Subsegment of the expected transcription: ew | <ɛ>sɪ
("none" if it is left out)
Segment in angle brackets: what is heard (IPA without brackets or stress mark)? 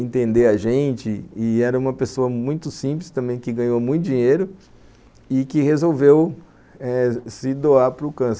ɛ